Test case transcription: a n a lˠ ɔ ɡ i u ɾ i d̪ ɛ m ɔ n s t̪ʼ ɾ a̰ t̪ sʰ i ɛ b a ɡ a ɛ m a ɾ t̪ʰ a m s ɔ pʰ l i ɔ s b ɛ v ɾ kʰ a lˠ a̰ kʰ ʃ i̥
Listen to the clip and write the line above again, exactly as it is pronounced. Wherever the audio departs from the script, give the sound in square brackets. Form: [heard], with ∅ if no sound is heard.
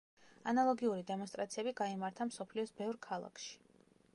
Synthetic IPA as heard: a n a lˠ ɔ ɡ i u ɾ i d̪ ɛ m ɔ n s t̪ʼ ɾ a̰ t̪ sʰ i ɛ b [i] ɡ a [i] m a ɾ t̪ʰ a m s ɔ pʰ l i ɔ s b ɛ v ɾ kʰ a lˠ a̰ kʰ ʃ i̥